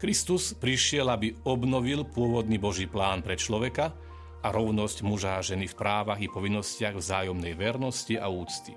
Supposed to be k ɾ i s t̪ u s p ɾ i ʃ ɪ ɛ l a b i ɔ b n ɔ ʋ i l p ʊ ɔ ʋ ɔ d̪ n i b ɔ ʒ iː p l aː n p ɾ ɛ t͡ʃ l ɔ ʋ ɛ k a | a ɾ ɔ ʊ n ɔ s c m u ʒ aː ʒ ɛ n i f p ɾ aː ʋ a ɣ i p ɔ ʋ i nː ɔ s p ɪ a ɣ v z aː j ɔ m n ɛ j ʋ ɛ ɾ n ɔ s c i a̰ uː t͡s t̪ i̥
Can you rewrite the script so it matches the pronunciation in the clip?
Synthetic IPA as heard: k ɾ i s t̪ u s p ɾ i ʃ ɪ ɛ l a b i ɔ b n ɔ ʋ i l p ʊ ɔ ʋ ɔ d̪ n i b ɔ ʒ iː p l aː n p ɾ ɛ t͡ʃ l ɔ ʋ ɛ k a | a ɾ ɔ ʊ n ɔ s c m u ʒ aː ʒ ɛ n i f p ɾ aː ʋ a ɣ i p ɔ ʋ i nː ɔ s c ɪ a ɣ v z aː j ɔ m n ɛ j ʋ ɛ ɾ n ɔ s c i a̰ uː t͡s t̪ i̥